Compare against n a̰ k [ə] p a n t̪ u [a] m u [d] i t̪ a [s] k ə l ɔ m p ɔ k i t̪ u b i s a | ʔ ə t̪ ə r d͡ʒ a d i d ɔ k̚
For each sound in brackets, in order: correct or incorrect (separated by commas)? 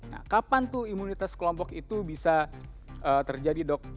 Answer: incorrect, incorrect, incorrect, correct